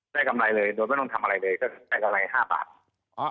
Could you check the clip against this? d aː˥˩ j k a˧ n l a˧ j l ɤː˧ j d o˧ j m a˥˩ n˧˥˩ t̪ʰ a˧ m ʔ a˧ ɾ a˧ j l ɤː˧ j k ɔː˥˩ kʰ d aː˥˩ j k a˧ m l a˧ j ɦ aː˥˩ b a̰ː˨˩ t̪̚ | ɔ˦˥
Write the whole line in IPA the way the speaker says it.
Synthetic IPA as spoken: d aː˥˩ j k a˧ m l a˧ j l ɤː˧ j d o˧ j m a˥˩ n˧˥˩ t̪ʰ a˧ m ʔ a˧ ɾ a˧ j l ɤː˧ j k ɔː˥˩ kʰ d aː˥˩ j k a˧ m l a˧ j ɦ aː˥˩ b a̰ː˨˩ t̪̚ | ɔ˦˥